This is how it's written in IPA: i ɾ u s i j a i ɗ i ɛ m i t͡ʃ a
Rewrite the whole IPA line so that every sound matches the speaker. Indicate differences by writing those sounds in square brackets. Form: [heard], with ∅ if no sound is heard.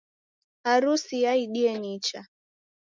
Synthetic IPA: [a] ɾ u s i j a i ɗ i ɛ [n] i t͡ʃ a